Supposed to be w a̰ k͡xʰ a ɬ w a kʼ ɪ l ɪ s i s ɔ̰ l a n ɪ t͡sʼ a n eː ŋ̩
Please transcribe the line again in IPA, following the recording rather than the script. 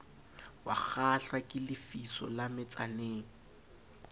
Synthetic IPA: w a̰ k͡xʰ a ɬ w a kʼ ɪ l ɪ f i s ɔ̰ l a m ɪ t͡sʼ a n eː ŋ̩